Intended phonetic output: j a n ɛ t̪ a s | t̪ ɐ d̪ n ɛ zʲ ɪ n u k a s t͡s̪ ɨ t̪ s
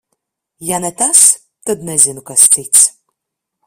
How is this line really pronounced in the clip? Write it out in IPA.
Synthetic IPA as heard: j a n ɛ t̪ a s | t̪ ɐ d̪ n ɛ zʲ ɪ n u k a s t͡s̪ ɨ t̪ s